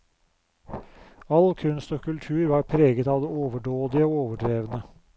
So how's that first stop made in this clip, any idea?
aspirated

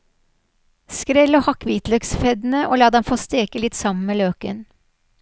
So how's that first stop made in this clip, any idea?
plain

